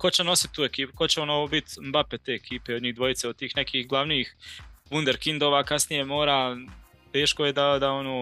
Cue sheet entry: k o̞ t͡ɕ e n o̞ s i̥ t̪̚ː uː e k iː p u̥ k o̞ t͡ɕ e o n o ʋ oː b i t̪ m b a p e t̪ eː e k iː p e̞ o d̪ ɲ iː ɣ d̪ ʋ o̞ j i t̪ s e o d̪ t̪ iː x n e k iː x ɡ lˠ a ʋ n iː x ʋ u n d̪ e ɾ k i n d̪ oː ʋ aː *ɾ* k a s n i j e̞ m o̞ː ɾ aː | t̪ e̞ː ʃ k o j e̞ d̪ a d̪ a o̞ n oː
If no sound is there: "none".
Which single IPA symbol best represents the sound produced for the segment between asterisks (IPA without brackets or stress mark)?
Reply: none